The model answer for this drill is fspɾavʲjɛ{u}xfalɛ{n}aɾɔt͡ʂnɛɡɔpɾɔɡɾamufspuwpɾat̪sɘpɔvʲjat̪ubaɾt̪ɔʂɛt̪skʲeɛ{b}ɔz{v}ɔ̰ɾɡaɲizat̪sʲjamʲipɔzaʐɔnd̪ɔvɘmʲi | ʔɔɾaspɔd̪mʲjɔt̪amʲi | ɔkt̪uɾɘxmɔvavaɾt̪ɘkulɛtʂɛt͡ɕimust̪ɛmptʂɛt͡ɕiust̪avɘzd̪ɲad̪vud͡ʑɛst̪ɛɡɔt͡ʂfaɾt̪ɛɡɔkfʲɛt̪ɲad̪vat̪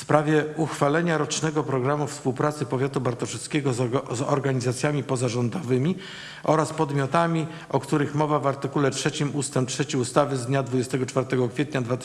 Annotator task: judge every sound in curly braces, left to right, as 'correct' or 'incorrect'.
correct, incorrect: ɲ, incorrect: ɡ, incorrect: z

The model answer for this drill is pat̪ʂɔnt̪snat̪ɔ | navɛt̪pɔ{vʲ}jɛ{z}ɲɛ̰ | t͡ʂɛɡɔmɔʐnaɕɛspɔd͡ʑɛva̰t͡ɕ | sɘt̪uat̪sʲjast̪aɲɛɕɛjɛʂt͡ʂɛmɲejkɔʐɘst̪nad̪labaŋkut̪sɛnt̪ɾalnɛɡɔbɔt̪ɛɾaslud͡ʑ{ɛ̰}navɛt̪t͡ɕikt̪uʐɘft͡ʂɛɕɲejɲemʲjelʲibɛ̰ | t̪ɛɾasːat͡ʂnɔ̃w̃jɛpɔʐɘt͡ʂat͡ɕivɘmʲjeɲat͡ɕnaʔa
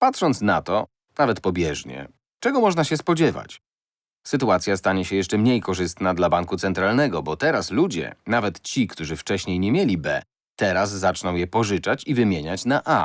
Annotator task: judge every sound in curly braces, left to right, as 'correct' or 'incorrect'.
incorrect: bʲ, incorrect: ʐ, correct

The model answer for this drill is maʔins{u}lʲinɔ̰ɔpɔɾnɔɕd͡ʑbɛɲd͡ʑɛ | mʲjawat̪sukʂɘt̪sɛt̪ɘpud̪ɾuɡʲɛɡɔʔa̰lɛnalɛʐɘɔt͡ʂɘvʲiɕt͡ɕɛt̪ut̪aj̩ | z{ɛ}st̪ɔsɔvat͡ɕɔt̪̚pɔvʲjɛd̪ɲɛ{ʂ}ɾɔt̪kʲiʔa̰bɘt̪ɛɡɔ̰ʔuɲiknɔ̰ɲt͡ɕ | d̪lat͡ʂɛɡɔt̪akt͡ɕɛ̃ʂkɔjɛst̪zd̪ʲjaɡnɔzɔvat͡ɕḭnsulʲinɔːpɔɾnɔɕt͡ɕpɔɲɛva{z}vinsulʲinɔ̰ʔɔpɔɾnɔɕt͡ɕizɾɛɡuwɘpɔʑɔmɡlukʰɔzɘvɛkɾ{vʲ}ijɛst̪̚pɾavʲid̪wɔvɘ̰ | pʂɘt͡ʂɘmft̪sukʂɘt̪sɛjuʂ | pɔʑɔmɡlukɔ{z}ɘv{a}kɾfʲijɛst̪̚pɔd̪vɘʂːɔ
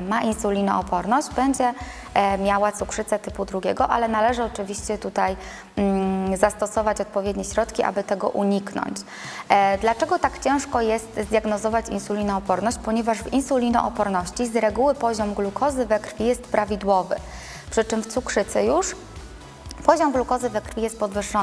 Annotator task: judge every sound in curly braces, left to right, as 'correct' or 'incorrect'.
correct, incorrect: a, incorrect: ɕ, incorrect: ʐ, incorrect: fʲ, correct, incorrect: ɛ

